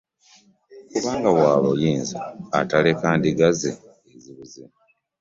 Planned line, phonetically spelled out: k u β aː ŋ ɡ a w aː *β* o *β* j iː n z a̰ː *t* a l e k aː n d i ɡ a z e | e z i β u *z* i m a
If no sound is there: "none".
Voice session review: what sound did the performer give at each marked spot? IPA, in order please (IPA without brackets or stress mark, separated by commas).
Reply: β, none, t, z